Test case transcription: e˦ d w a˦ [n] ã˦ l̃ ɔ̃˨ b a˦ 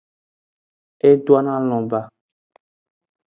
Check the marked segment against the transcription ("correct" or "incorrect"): correct